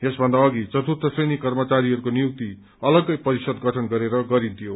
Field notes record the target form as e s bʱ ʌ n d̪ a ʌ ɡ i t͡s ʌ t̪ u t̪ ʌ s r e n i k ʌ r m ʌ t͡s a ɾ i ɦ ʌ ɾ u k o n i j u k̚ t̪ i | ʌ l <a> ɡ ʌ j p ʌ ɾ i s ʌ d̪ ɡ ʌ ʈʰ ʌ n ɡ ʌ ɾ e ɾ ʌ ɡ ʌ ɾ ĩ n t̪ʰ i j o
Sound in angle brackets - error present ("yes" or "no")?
yes